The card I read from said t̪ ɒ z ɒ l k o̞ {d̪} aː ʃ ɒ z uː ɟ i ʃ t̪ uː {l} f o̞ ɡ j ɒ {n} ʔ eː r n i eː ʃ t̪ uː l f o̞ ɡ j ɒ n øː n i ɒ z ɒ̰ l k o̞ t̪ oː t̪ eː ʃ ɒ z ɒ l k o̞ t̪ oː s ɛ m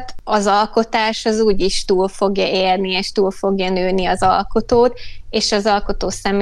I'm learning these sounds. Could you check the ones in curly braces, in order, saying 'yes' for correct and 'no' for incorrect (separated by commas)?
no, yes, no